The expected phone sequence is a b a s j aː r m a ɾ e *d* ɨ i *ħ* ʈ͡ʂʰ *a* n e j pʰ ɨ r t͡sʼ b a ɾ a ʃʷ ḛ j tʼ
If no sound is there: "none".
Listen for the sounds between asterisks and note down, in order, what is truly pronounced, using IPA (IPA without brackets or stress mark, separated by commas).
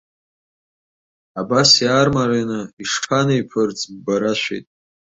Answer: n, ʂ, a